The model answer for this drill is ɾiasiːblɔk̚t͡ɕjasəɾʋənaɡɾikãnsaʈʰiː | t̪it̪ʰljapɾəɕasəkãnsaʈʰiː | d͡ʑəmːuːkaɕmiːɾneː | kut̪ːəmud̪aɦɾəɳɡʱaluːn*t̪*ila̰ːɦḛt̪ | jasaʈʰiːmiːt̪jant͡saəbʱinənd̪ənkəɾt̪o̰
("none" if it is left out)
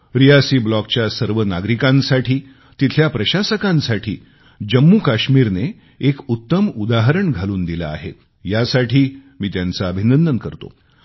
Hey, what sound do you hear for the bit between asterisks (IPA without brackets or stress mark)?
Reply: d̪